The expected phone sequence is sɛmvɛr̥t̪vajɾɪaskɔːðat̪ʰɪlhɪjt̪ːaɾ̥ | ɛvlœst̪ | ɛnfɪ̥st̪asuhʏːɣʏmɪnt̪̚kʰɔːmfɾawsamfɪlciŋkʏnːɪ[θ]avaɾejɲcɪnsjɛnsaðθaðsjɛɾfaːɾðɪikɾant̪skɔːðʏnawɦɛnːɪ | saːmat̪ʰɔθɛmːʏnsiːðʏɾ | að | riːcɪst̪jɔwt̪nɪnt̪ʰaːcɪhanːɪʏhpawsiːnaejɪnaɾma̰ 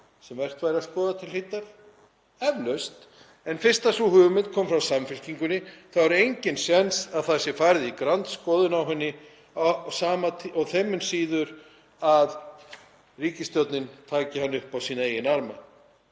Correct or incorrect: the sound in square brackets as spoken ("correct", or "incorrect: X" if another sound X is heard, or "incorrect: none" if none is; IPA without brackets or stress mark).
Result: correct